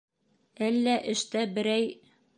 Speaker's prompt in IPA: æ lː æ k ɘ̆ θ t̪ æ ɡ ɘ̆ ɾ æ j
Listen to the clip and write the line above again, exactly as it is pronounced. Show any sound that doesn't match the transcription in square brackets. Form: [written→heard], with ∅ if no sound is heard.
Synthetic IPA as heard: æ lː æ [k→ʔ] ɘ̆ [θ→ʃ] t̪ æ [ɡ→b] ɘ̆ ɾ æ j